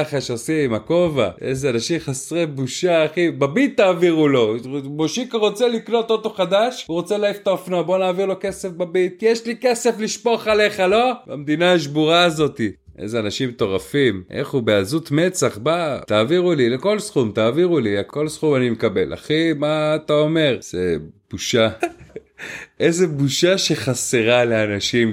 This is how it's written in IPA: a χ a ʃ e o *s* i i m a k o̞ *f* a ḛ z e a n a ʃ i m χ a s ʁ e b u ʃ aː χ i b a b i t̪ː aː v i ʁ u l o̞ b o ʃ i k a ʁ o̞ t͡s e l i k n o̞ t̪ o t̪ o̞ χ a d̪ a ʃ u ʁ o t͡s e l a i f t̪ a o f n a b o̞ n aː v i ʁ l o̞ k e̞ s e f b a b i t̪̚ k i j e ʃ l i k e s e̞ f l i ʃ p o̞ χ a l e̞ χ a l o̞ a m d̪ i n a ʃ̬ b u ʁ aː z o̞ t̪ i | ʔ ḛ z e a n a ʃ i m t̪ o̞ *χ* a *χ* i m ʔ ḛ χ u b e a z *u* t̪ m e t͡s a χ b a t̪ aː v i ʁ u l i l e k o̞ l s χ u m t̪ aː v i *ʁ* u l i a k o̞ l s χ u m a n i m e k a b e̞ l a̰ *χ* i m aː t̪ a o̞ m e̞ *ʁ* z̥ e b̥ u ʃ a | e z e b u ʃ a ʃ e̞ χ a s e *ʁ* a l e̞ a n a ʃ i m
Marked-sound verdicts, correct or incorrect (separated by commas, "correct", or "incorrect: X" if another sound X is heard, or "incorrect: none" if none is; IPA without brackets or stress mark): correct, incorrect: v, incorrect: ʁ, incorrect: f, correct, correct, correct, correct, correct